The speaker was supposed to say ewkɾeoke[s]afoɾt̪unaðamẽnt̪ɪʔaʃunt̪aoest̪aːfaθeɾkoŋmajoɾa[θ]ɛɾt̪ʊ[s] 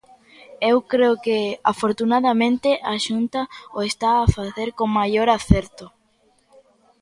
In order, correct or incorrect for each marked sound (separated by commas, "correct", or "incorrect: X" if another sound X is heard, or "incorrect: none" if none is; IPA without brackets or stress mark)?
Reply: incorrect: none, correct, incorrect: none